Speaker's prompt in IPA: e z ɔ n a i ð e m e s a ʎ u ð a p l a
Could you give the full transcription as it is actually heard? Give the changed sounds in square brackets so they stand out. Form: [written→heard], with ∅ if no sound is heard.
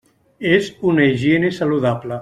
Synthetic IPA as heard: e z [ɔ→u] n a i [ð→ʒ] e [m→n] e s a [ʎ→l] u ð a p l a

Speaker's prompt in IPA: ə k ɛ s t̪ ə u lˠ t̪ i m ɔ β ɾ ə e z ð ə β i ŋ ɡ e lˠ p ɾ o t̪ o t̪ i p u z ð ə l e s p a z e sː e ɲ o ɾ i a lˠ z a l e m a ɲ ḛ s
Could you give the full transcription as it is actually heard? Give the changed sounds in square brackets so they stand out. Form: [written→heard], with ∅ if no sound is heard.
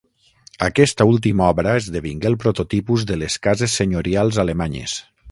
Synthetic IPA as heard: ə k ɛ s t̪ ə u lˠ t̪ i m ɔ β ɾ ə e z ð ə β i ŋ ɡ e lˠ p ɾ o t̪ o t̪ i p u z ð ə l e s [p→k] a z e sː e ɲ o ɾ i a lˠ z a l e m a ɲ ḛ s

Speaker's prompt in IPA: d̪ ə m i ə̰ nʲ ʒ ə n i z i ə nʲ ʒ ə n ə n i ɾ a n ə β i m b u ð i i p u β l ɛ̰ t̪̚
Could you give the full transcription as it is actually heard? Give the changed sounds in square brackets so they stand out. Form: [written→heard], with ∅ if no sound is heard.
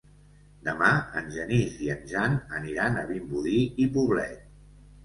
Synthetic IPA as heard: d̪ ə m [i→a] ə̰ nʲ ʒ ə n i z i ə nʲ ʒ [ə→a] n ə n i ɾ a n ə β i m b u ð i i p u β l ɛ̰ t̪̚

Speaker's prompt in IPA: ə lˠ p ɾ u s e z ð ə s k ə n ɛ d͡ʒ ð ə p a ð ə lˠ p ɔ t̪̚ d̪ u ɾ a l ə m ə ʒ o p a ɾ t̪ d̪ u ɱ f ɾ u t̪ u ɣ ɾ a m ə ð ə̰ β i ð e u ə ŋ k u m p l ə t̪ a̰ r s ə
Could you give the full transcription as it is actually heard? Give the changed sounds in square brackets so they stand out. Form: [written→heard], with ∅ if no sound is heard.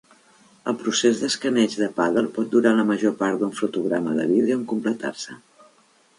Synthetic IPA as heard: ə lˠ p ɾ u s e z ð ə s k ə n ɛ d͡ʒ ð ə p a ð ə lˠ p ɔ t̪̚ d̪ u ɾ a l ə m ə ʒ o p a ɾ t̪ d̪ u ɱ f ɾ u t̪ u ɣ ɾ a m ə ð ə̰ β i ð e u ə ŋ k u m p l ə t̪ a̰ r s ə

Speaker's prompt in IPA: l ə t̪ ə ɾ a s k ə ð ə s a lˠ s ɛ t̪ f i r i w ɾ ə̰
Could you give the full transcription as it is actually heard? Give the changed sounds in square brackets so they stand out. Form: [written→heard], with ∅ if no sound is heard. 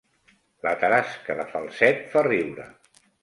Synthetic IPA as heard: l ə t̪ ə ɾ a s k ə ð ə [s→f] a lˠ s ɛ t̪ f [i→a] r i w ɾ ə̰

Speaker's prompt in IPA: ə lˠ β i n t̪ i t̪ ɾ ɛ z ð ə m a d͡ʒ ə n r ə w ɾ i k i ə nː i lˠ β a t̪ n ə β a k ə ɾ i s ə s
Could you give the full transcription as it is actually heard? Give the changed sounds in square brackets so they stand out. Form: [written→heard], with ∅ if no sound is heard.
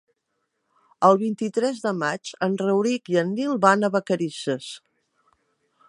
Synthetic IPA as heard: ə lˠ β i n t̪ i t̪ ɾ ɛ z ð ə m a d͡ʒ ə n r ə w ɾ i k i ə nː i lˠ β a [t̪→∅] n ə β [a→ə] k ə ɾ i s ə s

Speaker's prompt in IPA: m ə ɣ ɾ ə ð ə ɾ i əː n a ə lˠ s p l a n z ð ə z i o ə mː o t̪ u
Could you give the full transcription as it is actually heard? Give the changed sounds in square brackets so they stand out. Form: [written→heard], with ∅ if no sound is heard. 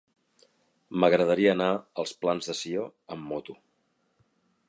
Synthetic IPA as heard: m ə ɣ ɾ ə ð ə ɾ i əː n a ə lˠ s p l a n z ð ə [z→s] i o ə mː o t̪ u

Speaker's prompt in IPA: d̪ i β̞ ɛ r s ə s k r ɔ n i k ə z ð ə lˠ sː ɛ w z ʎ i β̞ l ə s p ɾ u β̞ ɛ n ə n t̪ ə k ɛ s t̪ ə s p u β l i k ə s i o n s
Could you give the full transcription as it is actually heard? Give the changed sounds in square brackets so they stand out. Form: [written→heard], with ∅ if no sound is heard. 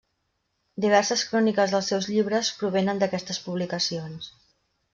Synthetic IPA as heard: d̪ i β̞ ɛ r s ə s k [r→ɾ] ɔ n i k ə z ð ə lˠ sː ɛ w z ʎ i β̞ [l→ɾ] ə s p ɾ u β̞ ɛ n ə n [t̪→d̪] ə k ɛ s t̪ ə s p u β l i k ə s i o n s

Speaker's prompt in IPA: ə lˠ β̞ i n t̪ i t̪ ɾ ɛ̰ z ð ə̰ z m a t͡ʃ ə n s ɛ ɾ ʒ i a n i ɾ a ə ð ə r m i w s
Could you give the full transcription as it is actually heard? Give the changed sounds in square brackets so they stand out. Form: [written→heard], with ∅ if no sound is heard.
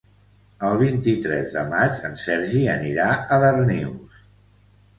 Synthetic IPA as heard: ə lˠ β̞ i n t̪ i t̪ ɾ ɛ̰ z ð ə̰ [z→∅] m a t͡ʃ ə n s ɛ ɾ ʒ i [a→ə] n i ɾ a ə ð ə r [m→n] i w s

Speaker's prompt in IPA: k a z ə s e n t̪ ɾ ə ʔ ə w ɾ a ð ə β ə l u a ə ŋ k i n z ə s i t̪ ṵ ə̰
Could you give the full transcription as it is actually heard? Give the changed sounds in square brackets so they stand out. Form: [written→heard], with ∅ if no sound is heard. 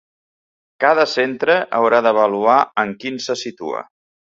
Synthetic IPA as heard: k a [z→ð] ə s e n t̪ ɾ ə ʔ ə w ɾ a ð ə β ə l u a ə ŋ k i n [z→s] ə s i t̪ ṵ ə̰

